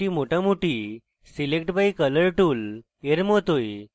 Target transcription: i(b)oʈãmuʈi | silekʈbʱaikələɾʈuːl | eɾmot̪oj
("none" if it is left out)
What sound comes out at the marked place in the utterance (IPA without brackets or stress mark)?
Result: m